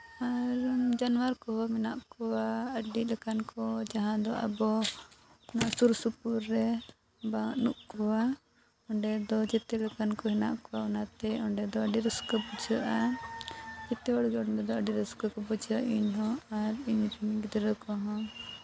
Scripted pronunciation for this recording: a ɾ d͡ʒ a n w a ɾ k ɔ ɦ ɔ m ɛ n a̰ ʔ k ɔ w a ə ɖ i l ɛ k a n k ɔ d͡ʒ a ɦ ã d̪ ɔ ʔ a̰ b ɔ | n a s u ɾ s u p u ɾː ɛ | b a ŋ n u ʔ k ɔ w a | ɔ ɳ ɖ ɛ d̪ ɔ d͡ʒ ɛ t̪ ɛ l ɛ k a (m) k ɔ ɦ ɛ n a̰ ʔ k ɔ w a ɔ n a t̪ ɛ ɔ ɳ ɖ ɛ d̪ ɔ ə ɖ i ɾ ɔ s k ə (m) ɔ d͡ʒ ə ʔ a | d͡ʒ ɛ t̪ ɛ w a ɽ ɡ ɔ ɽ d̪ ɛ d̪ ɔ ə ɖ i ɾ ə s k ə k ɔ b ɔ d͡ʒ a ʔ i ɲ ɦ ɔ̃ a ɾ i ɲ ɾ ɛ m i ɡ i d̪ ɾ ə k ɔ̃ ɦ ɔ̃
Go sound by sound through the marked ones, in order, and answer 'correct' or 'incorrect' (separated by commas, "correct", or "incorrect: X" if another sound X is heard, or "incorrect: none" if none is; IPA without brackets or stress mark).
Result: incorrect: n, incorrect: b